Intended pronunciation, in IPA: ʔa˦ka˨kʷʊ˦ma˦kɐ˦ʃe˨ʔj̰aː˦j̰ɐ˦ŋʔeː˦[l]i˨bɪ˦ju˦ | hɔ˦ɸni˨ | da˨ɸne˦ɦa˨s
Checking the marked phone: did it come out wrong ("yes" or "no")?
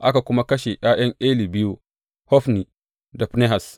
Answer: no